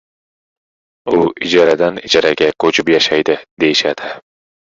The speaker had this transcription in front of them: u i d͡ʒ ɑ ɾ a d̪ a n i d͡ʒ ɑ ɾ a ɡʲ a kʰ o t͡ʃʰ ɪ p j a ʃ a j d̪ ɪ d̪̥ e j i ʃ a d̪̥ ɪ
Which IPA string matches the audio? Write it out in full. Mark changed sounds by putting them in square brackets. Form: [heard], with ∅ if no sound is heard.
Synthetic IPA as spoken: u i d͡ʒ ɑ ɾ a d̪ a n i d͡ʒ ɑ ɾ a ɡʲ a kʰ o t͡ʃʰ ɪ p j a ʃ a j d̪ ɪ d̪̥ e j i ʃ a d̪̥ ɪ